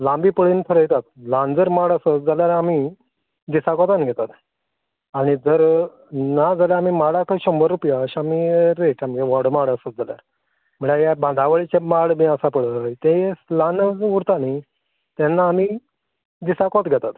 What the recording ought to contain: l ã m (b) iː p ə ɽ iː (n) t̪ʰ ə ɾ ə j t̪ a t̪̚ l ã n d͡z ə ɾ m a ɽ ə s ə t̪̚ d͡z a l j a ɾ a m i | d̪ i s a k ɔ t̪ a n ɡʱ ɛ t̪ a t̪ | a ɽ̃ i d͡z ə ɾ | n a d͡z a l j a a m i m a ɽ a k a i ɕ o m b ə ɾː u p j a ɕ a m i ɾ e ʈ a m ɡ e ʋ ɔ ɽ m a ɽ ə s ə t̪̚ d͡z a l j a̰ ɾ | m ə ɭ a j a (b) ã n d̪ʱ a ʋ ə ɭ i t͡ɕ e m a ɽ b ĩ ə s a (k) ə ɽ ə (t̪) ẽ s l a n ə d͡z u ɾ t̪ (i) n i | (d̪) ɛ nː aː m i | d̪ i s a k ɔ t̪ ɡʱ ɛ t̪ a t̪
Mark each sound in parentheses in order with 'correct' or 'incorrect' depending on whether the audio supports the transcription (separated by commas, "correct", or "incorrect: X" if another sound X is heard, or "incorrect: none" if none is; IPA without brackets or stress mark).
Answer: correct, correct, correct, incorrect: p, correct, incorrect: a, incorrect: t̪